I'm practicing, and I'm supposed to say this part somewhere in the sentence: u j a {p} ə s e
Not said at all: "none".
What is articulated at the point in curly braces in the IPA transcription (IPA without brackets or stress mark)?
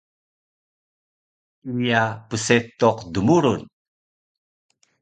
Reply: p